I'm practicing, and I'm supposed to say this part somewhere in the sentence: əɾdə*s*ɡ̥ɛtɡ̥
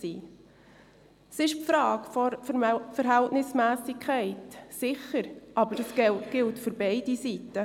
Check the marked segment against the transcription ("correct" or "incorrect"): correct